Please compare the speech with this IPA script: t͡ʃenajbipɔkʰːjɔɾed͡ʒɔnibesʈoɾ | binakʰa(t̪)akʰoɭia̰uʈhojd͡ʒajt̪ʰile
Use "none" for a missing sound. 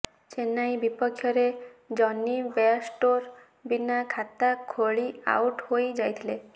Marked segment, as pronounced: t̪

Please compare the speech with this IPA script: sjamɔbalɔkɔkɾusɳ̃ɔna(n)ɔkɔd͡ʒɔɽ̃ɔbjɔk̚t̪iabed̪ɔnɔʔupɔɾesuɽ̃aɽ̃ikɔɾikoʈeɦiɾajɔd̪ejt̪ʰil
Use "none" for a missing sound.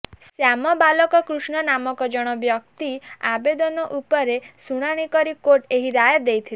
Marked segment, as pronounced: m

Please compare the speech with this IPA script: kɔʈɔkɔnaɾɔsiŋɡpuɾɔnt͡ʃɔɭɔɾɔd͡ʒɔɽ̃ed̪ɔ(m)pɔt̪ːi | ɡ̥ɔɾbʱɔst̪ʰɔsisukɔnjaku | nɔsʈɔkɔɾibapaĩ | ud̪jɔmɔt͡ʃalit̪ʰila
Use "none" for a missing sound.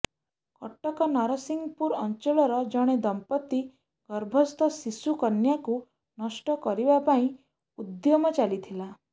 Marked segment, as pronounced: m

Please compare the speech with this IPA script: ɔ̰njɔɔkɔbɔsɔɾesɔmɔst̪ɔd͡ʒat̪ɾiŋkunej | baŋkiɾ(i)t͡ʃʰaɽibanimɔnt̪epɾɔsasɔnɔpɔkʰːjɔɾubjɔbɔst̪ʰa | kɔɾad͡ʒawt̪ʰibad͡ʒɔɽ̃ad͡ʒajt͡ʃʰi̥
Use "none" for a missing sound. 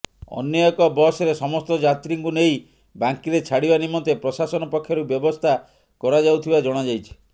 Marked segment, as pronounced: e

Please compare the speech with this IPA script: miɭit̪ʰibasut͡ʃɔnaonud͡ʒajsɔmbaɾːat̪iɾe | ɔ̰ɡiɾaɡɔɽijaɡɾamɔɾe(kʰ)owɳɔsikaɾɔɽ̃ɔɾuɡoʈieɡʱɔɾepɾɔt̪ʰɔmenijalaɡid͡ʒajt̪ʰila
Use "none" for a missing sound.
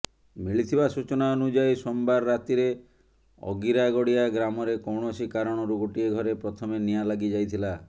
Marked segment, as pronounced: k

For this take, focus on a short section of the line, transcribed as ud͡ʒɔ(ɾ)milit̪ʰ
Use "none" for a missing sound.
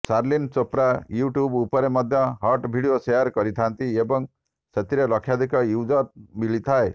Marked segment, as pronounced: ɾ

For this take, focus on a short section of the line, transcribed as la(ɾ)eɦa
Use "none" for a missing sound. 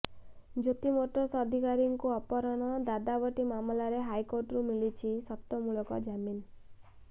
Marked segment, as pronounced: ɾ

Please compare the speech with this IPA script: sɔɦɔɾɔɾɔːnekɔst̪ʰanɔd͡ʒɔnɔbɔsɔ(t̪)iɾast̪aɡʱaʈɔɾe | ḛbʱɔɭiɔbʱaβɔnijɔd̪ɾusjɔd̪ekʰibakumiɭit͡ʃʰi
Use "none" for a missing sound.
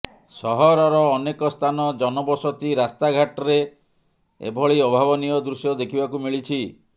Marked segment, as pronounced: t̪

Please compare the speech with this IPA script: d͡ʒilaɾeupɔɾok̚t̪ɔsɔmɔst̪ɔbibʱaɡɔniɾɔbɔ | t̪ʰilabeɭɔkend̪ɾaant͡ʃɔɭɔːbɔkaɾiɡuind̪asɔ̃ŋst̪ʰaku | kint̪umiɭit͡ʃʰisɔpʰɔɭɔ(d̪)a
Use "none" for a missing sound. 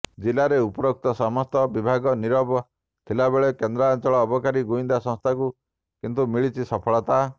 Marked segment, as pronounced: t̪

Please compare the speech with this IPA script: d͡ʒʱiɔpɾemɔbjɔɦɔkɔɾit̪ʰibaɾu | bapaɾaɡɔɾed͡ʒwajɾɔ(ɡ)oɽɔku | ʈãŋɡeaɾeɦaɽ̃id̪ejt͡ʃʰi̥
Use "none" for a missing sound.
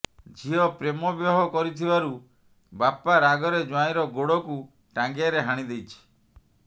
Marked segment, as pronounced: ɡ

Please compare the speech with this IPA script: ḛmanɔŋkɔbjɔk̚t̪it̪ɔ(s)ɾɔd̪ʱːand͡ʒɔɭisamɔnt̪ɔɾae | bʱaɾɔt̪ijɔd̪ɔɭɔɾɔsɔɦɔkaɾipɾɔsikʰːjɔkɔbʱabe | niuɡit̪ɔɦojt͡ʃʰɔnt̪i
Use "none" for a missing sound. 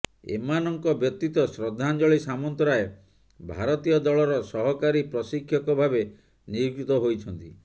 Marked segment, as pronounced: s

